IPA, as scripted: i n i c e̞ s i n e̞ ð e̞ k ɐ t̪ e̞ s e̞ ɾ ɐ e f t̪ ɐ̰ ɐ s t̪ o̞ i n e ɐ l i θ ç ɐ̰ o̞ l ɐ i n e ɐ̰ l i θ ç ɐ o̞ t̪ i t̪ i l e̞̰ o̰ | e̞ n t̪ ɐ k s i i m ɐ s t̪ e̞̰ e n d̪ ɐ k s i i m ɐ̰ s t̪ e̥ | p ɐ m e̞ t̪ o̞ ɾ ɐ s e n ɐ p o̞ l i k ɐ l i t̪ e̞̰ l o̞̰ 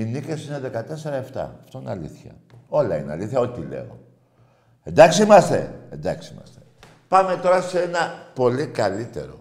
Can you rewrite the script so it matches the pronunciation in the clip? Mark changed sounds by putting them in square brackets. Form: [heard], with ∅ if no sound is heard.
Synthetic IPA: i n i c e̞ s i n e̞ ð e̞ k ɐ t̪ e̞ s e̞ ɾ ɐ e f t̪ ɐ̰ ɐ [f] t̪ o̞ i n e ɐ l i θ ç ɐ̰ o̞ l ɐ i n e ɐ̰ l i θ ç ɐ o̞ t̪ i t̪ i l e̞̰ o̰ | e̞ n [d̪] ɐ k s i i m ɐ s t̪ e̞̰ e n d̪ ɐ k s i i m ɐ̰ s t̪ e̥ | p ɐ m e̞ t̪ o̞ ɾ ɐ s e n ɐ p o̞ l i k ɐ l i t̪ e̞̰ [ɾ] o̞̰